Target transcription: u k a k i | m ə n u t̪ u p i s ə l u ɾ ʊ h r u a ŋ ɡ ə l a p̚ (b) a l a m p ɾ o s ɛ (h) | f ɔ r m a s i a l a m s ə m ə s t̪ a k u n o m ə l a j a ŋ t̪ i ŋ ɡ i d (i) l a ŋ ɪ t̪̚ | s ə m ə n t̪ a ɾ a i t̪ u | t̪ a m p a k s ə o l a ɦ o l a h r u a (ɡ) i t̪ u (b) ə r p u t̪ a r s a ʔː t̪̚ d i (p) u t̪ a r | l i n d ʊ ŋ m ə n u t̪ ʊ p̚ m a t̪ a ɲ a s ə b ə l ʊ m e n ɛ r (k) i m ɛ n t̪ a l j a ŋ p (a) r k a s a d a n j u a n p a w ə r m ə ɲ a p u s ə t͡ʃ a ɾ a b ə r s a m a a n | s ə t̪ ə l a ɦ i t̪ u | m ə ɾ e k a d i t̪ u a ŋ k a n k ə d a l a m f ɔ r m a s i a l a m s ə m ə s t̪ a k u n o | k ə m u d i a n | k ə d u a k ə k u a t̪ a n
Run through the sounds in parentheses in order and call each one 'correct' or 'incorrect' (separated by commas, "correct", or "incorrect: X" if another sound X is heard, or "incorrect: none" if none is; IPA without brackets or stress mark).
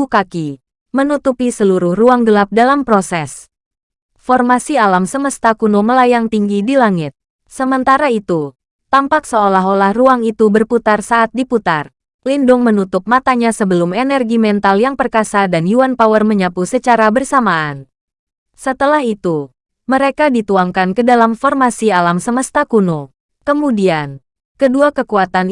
incorrect: d, incorrect: s, correct, incorrect: ŋ, correct, correct, incorrect: ɡ, incorrect: ə